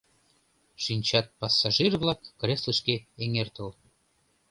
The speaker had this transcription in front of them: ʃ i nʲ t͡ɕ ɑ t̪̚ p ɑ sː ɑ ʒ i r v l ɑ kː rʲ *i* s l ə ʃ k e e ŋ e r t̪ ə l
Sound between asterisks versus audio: incorrect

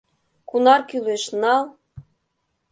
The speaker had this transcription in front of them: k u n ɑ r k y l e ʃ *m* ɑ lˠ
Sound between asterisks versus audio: incorrect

